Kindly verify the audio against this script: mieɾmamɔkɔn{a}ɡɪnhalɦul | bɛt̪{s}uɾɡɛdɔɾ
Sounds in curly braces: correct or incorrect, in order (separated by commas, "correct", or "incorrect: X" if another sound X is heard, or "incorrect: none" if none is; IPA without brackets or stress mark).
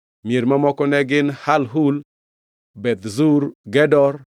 incorrect: ɛ, incorrect: z